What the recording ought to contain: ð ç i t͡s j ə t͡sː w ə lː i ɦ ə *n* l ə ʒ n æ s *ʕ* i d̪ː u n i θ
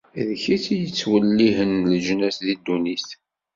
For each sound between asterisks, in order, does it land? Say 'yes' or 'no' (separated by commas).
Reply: yes, no